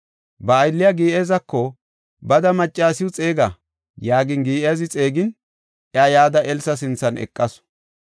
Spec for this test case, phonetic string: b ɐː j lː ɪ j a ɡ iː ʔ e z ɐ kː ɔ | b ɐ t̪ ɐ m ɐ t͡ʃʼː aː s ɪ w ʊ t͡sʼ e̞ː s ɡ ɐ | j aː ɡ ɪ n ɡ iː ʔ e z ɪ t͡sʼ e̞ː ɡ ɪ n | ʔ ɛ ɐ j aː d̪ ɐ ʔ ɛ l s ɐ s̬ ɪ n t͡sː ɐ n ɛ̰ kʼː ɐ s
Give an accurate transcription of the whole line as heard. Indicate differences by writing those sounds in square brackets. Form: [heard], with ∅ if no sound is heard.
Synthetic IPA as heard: b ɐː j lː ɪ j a ɡ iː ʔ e z ɐ kː ɔ | b ɐ [d̪] ɐ m ɐ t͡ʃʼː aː s ɪ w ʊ t͡sʼ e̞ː [∅] ɡ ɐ | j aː ɡ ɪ n ɡ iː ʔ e z ɪ t͡sʼ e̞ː ɡ ɪ n | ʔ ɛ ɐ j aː d̪ ɐ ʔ ɛ l s ɐ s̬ ɪ n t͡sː ɐ n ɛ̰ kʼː ɐ s